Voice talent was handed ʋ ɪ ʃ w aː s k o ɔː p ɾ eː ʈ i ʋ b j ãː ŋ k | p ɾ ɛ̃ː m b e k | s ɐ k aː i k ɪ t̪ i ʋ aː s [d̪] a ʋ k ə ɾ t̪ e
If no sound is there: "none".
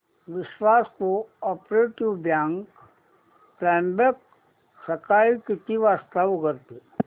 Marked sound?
t̪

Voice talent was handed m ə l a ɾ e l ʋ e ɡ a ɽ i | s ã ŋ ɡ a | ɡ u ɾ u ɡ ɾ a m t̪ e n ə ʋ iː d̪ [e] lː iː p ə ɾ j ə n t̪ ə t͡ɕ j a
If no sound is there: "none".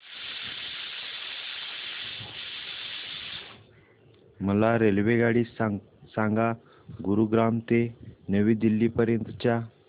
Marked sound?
i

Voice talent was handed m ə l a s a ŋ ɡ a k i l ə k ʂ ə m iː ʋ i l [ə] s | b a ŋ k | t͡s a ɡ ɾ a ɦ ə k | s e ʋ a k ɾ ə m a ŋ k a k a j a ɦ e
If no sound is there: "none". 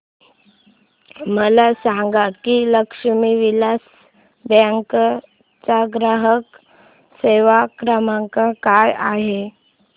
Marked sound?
a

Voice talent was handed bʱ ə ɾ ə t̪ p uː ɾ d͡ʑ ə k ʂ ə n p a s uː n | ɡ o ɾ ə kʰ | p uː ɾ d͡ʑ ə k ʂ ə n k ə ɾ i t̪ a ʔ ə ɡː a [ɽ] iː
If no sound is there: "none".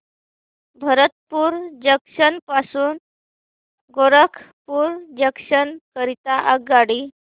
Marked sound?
ɽ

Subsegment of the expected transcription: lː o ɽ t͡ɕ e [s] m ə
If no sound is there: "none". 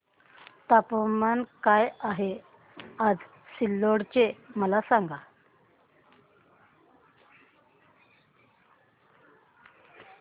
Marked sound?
none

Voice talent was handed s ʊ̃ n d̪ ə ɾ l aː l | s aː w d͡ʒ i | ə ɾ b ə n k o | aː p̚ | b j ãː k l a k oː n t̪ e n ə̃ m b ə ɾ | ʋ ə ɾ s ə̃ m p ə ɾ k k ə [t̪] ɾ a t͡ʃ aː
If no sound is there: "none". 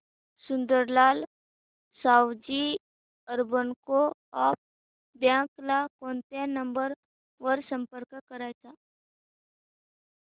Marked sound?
none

